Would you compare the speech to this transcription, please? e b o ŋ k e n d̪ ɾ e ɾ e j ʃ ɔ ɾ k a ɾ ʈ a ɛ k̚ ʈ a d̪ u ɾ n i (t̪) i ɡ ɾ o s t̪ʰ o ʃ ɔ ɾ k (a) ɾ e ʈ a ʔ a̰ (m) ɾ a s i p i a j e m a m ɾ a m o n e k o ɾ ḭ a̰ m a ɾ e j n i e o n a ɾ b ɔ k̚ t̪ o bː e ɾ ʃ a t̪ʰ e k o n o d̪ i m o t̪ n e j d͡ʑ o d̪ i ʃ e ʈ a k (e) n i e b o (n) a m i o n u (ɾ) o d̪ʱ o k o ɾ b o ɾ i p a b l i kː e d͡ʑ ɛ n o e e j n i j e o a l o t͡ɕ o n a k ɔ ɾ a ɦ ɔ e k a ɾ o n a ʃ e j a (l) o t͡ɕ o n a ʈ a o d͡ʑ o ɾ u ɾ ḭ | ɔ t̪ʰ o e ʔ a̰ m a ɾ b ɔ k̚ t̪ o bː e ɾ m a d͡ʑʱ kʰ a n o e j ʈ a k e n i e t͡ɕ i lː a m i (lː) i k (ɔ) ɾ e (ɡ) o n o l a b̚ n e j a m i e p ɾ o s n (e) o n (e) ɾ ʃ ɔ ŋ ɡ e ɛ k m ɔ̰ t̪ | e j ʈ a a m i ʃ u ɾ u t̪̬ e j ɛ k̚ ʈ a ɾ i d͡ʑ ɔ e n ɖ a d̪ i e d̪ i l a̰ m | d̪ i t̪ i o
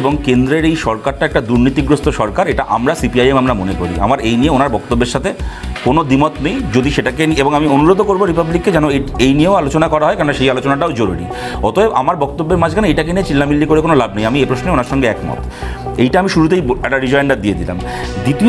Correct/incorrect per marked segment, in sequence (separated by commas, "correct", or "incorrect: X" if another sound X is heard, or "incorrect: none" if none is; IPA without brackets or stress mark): correct, correct, correct, correct, incorrect: ŋ, correct, correct, correct, incorrect: o, incorrect: k, correct, incorrect: a